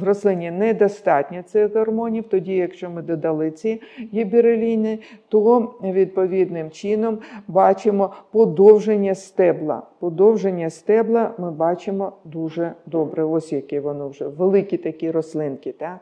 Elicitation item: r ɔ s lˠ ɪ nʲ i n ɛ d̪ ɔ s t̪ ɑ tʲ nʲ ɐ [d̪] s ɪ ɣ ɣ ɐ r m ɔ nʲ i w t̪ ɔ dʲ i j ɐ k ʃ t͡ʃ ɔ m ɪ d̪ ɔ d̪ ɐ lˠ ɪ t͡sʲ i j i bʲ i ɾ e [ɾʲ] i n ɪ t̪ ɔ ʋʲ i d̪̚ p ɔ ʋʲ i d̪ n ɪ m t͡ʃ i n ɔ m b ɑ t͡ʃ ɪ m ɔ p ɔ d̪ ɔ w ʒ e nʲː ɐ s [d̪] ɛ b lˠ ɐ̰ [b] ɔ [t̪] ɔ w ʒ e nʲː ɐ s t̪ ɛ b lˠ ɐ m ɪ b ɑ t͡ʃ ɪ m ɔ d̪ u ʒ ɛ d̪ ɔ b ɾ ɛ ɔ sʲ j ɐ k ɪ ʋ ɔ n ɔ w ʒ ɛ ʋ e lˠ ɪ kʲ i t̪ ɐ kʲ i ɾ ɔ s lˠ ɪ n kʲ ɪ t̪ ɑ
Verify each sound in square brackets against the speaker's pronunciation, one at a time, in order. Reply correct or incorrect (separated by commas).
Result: incorrect, incorrect, incorrect, incorrect, incorrect